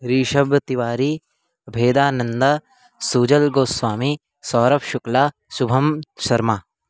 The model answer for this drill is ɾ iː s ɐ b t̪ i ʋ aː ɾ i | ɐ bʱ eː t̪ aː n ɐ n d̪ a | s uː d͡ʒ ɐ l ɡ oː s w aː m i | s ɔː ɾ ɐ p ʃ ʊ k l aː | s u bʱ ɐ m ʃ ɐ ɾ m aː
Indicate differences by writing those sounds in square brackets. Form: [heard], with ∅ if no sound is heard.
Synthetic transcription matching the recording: ɾ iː [ʃ] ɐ b t̪ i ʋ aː ɾ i | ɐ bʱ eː [d̪] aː n ɐ n d̪ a | s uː d͡ʒ ɐ l ɡ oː s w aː m i | s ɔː ɾ ɐ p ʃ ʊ k l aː | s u bʱ ɐ m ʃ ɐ ɾ m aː